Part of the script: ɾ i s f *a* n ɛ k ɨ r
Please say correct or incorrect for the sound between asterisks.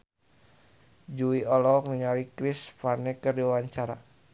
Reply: correct